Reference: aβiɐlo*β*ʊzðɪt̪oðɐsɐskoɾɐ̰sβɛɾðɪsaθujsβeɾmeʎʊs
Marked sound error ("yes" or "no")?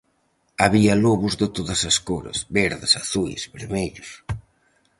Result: no